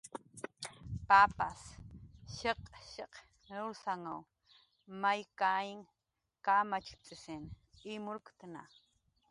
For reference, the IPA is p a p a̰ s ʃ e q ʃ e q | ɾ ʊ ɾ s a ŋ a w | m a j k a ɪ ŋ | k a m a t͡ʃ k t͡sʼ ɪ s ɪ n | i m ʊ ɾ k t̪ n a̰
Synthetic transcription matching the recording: p a p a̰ s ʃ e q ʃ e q | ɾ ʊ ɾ s a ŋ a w | m a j k a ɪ ŋ | k a m a t͡ʃ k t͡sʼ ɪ s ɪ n | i m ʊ ɾ k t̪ n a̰